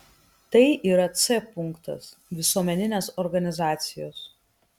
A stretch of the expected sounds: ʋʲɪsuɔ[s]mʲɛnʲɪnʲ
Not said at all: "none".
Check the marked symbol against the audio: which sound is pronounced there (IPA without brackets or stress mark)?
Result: none